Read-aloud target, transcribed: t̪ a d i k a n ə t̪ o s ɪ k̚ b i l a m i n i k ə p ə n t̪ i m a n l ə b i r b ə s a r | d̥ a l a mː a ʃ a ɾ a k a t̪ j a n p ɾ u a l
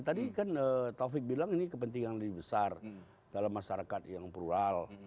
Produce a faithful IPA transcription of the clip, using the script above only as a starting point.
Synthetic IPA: t̪ a d i k a n ə t̪ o f ɪ k̚ b i l a ŋ i n i k ə p ə n t̪ i ŋ a n l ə b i b ə s a r | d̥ a l a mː a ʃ a ɾ a k a t̪ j a ŋ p ɾ u a l